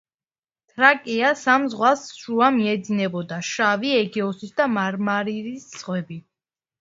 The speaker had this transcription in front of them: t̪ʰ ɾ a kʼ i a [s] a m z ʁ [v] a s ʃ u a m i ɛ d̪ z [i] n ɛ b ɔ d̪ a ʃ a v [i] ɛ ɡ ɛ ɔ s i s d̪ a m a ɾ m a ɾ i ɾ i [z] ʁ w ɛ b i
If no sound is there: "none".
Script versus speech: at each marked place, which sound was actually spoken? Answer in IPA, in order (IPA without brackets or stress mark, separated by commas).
s, w, i, i, s